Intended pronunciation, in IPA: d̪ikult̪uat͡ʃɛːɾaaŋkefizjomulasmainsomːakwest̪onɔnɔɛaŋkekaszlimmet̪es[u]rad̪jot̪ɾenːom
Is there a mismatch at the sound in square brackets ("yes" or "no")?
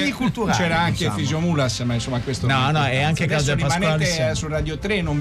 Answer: no